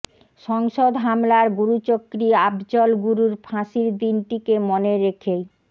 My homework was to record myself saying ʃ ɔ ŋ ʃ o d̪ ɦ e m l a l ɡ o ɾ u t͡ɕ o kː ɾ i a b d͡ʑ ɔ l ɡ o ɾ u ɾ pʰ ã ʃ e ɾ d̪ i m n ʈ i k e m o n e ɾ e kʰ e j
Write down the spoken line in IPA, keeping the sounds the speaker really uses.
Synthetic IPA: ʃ ɔ ŋ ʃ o d̪ ɦ a m l a ɾ ɡ u ɾ u t͡ɕ o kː ɾ i a b d͡ʑ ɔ l ɡ u ɾ u ɾ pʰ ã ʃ i ɾ d̪ i n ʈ i k e m o n e ɾ e kʰ e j